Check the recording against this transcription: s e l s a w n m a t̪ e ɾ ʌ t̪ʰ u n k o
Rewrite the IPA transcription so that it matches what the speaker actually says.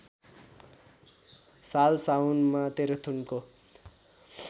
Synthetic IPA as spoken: s a l s a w n m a t̪ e ɾ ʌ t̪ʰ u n k o